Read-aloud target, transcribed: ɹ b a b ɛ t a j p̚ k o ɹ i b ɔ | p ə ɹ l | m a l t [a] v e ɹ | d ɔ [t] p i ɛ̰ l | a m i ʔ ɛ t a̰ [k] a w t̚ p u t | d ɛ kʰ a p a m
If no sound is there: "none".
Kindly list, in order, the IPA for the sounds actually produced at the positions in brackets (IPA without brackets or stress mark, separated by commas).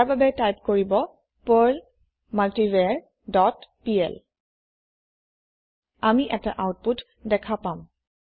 i, t, ʔ